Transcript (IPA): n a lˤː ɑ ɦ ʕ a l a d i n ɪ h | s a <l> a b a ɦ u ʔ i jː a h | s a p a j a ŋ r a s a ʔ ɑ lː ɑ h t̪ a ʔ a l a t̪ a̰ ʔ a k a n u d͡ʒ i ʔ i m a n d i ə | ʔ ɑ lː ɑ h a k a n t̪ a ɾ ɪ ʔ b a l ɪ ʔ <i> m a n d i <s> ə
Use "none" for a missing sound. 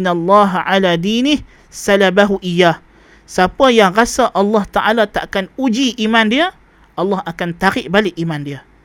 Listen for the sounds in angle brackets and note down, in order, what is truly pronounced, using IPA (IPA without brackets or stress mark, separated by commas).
l, i, none